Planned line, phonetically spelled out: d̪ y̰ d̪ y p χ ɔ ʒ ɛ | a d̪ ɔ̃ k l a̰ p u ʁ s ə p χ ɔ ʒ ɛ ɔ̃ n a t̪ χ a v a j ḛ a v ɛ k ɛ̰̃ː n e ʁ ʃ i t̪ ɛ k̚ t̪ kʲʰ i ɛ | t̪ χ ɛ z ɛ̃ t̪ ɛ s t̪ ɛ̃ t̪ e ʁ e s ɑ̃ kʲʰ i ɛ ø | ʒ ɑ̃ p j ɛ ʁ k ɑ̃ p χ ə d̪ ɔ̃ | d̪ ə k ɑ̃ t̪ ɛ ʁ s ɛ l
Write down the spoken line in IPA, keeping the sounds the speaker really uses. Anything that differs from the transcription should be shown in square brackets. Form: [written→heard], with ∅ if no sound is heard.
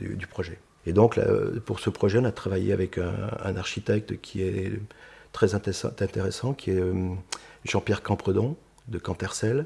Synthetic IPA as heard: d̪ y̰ d̪ y p χ ɔ ʒ ɛ | [a→e] d̪ ɔ̃ k l a̰ p u ʁ s ə p χ ɔ ʒ ɛ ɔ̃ n a t̪ χ a v a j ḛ a v ɛ k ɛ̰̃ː n [e→a] ʁ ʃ i t̪ ɛ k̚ t̪ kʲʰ i ɛ | t̪ χ ɛ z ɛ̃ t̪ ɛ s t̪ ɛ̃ t̪ e ʁ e s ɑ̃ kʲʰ i ɛ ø | ʒ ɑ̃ p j ɛ ʁ k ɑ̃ p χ ə d̪ ɔ̃ | d̪ ə k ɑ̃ t̪ ɛ ʁ s ɛ l